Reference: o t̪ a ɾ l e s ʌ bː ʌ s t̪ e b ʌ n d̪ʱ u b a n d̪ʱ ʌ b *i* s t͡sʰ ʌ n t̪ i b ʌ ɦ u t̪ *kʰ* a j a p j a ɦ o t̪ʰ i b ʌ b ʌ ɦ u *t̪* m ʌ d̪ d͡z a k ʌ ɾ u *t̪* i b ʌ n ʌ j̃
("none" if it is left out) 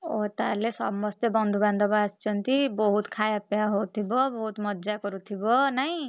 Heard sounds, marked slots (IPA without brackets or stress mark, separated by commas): a, kʰ, t̪, t̪ʰ